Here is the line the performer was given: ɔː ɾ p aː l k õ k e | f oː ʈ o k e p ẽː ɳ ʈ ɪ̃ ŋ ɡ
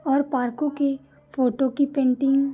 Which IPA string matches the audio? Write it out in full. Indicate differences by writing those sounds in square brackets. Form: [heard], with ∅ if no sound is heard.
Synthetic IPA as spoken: ɔː ɾ p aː [ɾ] k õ k e | f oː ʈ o k [i] p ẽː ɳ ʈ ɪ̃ ŋ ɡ